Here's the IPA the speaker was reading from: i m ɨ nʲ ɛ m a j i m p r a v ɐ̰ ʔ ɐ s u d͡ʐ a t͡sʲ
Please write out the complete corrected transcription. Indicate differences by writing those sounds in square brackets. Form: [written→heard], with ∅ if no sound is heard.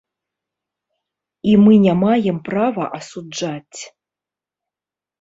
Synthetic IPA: i m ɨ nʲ [ɛ→a] m a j [i→ɛ] m p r a v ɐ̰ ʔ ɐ s u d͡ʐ a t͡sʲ